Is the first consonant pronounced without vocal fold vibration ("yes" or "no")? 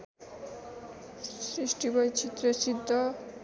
yes